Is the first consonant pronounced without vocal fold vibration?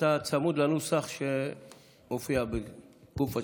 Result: yes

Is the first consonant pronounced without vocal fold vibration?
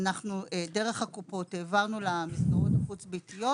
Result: no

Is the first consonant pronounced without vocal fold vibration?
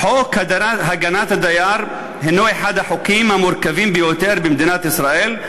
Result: yes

